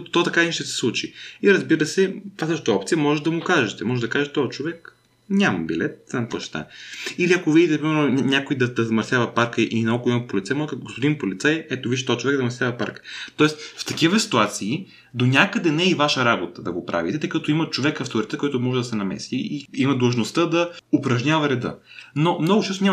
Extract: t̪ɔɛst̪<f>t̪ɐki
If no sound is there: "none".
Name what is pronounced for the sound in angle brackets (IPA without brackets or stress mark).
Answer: f